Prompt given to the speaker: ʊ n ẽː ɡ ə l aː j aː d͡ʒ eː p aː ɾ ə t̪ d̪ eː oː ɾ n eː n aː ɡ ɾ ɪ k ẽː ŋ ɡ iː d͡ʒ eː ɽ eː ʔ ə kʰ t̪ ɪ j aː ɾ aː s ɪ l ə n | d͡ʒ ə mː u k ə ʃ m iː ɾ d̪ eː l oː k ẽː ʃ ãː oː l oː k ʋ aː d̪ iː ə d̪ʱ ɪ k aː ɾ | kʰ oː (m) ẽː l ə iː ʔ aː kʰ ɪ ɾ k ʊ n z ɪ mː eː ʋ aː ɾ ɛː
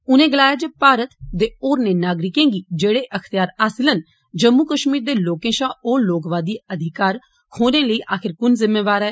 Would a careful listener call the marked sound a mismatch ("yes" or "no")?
yes